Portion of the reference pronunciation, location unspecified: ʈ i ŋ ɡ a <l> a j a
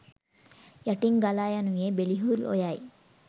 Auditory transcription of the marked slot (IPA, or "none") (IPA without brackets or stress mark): l